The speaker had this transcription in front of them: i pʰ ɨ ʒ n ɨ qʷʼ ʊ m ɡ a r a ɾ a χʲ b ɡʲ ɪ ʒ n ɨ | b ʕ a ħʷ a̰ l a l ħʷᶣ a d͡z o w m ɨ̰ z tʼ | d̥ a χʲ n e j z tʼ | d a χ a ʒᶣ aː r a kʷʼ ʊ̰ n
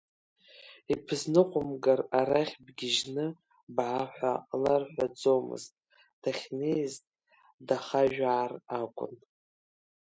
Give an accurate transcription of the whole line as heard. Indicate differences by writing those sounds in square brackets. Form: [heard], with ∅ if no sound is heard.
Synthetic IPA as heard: i pʰ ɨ [z] n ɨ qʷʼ ʊ m ɡ a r a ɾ a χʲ b ɡʲ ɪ ʒ n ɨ | b ʕ a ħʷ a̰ l a [r] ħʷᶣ a d͡z o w m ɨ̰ z tʼ | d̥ a χʲ n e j z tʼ | d a χ a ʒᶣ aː r a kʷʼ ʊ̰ n